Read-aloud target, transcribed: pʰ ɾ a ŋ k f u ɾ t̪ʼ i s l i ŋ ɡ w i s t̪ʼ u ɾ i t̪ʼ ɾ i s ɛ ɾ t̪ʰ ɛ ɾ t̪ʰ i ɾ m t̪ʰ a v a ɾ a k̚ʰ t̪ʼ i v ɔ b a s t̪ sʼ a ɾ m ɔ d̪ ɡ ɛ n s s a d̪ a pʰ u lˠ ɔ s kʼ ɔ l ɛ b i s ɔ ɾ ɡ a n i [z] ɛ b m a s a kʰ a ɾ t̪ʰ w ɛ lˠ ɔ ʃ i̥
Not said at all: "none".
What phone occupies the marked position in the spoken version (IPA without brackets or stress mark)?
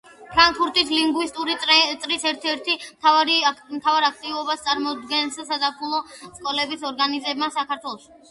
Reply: z